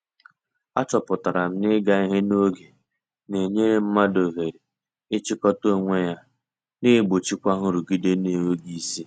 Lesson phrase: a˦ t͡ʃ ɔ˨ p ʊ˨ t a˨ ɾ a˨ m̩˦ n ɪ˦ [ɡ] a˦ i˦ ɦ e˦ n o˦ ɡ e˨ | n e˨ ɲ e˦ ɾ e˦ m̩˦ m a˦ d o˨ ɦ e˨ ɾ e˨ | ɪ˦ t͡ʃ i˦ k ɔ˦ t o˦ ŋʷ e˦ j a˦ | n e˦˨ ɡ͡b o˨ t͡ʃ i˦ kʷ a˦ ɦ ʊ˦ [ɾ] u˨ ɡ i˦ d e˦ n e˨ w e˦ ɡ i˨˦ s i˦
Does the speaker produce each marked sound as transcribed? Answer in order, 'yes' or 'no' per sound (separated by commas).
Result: yes, yes